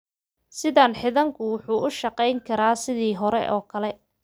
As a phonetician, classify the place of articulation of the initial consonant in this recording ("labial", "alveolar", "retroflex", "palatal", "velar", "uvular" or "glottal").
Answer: alveolar